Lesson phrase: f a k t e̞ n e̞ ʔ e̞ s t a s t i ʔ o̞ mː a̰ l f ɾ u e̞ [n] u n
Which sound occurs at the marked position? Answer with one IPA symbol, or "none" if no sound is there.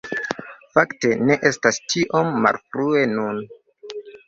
n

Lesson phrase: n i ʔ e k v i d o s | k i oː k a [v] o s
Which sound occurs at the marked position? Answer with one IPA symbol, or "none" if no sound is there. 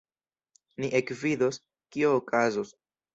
z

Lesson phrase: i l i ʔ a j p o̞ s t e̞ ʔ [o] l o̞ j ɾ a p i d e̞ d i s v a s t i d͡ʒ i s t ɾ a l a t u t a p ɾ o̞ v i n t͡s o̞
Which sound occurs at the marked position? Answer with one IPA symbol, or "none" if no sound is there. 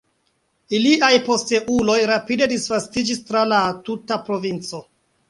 u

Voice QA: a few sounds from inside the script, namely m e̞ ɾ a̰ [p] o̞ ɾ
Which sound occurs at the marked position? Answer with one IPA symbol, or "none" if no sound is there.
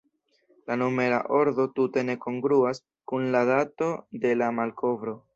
ʔ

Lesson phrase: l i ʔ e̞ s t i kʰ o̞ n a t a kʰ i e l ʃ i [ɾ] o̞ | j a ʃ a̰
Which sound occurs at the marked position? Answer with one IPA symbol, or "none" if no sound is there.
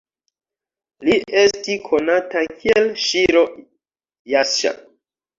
ɾ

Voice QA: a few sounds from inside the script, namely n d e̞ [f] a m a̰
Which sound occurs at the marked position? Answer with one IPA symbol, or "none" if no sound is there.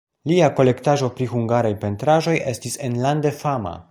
f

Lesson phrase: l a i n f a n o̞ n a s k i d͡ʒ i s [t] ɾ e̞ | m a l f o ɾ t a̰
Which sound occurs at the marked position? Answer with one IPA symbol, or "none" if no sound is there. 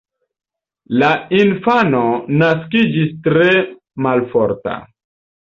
t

